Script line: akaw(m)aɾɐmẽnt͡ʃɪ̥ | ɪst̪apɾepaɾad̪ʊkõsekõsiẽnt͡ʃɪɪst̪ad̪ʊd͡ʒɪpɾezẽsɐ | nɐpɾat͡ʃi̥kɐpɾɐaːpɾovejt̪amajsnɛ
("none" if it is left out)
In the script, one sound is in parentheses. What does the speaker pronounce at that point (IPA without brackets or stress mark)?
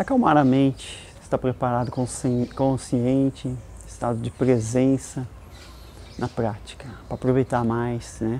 m